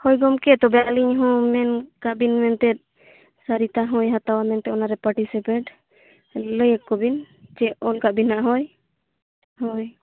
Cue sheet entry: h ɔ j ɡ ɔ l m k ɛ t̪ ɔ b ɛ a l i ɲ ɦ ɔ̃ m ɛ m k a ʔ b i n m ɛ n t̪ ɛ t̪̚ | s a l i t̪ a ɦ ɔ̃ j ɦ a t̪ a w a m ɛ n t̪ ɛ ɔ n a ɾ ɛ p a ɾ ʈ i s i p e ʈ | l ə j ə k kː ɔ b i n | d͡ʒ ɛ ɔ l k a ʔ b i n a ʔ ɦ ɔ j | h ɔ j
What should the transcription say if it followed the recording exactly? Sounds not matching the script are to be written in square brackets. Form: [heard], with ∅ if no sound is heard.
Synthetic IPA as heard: h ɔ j ɡ ɔ [∅] m k ɛ t̪ ɔ b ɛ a l i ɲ ɦ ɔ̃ m ɛ [n] k a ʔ b i n m ɛ n t̪ ɛ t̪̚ | s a [ɾ] i t̪ a ɦ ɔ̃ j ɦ a t̪ a w a m ɛ n t̪ ɛ ɔ n a ɾ ɛ p a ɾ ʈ i s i p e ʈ | l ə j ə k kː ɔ b i n | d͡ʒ ɛ ɔ l k a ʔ b i n a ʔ ɦ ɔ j | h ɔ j